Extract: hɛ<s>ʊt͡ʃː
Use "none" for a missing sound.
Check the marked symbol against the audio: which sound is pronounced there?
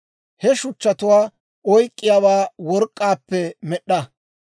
ʃ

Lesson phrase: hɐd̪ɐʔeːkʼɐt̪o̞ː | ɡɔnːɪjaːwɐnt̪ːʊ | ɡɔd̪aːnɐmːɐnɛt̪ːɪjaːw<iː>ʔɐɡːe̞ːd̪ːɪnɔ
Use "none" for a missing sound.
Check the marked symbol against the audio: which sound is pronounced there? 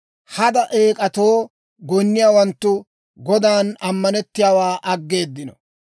aː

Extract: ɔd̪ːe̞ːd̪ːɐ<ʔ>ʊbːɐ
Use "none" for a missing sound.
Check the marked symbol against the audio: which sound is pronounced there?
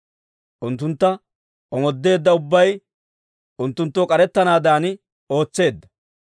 none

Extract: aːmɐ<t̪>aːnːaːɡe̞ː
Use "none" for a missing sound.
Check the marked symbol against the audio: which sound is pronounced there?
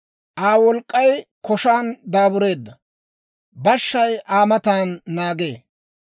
t̪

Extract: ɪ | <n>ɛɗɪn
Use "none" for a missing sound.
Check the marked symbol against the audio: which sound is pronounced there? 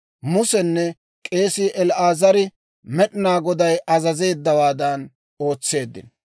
m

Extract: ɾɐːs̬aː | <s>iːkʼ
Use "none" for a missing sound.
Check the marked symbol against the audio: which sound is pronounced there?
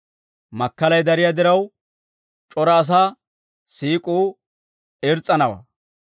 s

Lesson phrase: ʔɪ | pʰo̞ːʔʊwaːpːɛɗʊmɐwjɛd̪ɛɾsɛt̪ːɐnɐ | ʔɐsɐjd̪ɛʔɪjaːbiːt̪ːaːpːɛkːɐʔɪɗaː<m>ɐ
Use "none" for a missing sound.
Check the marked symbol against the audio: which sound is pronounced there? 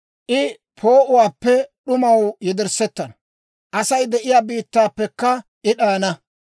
n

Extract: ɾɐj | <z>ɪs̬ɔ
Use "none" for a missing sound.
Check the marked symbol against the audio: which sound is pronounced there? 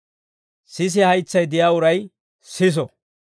s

